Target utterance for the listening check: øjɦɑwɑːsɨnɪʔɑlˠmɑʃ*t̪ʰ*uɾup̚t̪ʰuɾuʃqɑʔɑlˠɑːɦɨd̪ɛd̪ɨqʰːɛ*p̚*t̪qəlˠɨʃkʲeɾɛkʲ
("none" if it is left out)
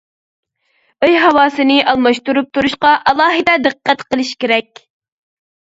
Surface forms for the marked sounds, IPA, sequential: t̪, none

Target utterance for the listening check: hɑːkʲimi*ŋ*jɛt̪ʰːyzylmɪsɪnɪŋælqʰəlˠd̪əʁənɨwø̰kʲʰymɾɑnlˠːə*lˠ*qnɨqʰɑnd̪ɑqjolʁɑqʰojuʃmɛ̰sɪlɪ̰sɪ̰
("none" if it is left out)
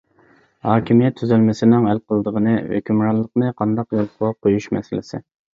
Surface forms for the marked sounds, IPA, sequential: none, none

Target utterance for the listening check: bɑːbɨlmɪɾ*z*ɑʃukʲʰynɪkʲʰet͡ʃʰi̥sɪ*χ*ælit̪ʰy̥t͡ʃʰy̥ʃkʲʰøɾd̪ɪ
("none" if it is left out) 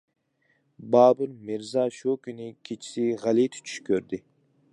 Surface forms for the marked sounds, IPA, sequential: z, ʁ

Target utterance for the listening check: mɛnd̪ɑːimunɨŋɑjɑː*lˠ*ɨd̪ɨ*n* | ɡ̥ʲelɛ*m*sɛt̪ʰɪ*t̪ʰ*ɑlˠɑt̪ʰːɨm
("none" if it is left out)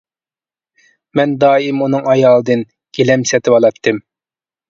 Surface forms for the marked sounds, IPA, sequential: lˠ, n, m, none

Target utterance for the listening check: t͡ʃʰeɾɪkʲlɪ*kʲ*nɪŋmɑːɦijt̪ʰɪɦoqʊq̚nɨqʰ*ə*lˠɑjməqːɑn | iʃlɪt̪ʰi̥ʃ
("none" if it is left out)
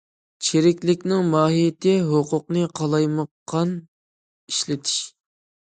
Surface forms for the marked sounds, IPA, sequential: kʲ, ɑ

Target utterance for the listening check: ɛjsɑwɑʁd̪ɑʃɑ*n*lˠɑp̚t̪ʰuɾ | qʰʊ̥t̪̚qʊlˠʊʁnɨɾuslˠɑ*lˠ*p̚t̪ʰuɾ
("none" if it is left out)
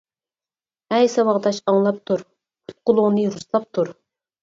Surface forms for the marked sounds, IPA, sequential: ŋ, none

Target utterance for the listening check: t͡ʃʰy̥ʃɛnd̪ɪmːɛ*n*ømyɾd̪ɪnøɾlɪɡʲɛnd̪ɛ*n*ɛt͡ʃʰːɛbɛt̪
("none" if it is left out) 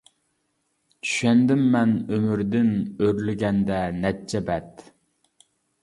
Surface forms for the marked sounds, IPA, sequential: n, n

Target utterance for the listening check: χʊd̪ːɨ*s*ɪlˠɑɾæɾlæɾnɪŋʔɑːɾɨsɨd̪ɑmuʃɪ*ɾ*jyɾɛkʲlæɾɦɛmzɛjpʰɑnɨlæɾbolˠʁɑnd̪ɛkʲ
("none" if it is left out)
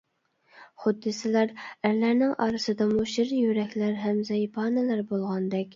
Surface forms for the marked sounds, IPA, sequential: s, ɾ

